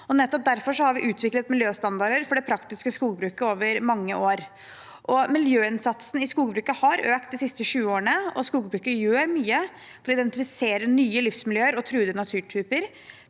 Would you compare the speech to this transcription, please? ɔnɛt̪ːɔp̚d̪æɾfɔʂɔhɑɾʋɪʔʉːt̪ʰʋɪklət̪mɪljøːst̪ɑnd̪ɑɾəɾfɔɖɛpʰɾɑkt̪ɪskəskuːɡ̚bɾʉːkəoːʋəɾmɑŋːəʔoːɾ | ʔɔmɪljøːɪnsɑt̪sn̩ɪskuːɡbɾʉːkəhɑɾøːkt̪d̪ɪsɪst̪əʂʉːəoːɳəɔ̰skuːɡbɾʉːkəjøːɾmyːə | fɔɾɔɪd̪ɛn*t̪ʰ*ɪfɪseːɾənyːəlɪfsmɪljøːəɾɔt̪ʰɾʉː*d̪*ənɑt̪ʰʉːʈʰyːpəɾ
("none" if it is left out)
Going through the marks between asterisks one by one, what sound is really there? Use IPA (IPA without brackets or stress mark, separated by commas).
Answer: t̪, d̪